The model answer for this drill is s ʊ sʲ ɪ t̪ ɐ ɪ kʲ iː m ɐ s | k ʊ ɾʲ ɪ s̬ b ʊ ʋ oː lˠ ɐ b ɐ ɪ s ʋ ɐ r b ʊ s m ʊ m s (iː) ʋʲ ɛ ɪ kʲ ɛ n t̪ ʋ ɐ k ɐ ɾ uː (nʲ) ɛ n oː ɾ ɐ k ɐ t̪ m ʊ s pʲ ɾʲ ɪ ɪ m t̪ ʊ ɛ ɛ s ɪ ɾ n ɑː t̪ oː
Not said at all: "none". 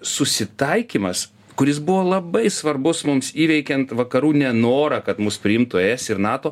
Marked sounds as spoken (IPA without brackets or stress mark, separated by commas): iː, nʲ